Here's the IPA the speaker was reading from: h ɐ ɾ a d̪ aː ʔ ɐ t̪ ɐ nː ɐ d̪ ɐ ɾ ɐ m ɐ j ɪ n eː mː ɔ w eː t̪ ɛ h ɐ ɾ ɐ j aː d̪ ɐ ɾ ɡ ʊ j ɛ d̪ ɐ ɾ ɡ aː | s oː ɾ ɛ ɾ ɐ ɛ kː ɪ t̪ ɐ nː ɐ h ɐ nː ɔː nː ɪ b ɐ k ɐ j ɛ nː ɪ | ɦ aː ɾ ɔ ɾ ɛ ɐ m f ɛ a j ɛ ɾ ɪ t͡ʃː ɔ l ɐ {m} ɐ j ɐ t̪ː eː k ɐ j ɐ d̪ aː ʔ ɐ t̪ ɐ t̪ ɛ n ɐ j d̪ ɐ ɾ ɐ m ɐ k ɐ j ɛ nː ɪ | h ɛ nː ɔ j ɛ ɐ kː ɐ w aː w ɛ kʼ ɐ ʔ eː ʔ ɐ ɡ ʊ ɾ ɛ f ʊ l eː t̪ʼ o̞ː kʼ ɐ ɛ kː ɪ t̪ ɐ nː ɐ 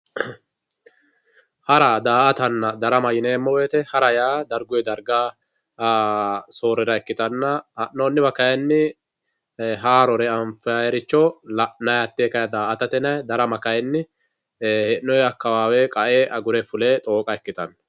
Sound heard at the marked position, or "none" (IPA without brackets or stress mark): n